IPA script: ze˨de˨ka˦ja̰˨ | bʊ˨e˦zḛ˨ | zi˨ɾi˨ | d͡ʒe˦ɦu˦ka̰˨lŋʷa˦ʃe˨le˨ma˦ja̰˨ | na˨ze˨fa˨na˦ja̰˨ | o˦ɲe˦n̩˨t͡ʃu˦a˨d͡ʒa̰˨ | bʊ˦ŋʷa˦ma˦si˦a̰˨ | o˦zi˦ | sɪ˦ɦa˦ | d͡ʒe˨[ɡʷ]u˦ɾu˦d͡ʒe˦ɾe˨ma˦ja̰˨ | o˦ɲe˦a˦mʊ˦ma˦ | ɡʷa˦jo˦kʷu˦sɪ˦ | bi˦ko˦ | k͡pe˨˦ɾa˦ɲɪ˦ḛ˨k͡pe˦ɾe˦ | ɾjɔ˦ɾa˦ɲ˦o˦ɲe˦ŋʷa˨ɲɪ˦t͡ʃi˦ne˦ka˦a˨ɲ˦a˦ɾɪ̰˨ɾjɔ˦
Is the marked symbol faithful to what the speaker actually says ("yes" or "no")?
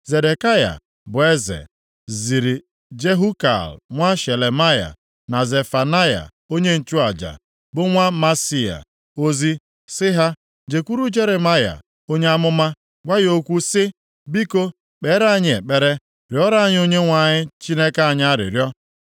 no